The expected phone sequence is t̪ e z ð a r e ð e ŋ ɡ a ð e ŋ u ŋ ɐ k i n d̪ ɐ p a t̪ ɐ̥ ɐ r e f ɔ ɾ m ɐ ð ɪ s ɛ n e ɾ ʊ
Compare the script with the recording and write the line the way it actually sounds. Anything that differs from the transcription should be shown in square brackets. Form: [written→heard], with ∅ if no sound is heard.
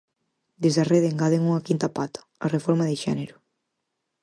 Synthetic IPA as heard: [t̪→d̪] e z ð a r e ð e ŋ ɡ a ð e ŋ u ŋ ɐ k i n [d̪→t̪] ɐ p a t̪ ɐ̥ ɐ r e f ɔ ɾ m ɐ ð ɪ [s→ʃ] ɛ n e ɾ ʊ